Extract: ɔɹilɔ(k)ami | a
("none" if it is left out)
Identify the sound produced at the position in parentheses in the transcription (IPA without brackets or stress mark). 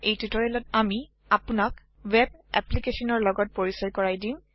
t